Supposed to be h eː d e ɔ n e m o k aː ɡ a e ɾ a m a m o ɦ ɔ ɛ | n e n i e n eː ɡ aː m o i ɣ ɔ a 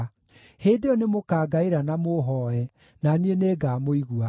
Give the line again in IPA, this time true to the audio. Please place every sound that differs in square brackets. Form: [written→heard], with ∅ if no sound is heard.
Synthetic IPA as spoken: h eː d e ɔ n e m o k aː ɡ a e ɾ a [m→n] a m o ɦ ɔ ɛ | n [e→a] n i e n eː ɡ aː m o i ɣ [ɔ→u] a